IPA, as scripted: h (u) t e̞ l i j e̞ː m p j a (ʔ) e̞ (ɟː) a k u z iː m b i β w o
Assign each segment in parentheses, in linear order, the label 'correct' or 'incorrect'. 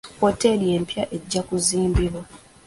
incorrect: o, correct, correct

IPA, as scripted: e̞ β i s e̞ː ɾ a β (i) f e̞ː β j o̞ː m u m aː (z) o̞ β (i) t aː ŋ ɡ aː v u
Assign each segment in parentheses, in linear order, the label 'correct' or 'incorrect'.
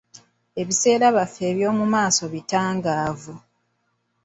incorrect: a, incorrect: s, correct

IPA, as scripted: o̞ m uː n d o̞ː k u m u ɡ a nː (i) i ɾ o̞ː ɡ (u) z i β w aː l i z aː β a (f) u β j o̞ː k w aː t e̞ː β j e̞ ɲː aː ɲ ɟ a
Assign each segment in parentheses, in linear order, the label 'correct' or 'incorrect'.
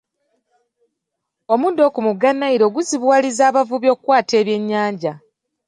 incorrect: a, correct, incorrect: v

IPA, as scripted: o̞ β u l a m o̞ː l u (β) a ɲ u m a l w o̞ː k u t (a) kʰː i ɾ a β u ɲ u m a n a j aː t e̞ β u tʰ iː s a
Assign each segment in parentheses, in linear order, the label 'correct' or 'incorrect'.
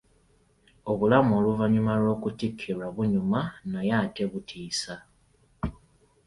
incorrect: v, incorrect: i

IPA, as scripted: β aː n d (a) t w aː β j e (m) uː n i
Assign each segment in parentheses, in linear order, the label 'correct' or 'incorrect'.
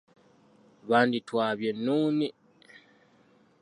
incorrect: i, incorrect: n

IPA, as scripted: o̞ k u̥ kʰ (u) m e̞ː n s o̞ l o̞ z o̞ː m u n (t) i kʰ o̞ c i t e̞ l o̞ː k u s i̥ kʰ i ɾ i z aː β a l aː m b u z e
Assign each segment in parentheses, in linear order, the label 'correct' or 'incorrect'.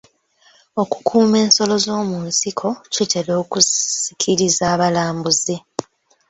incorrect: uː, incorrect: s

